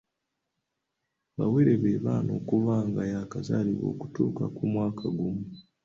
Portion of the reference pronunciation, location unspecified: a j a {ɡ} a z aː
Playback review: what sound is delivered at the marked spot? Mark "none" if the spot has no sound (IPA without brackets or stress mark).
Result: k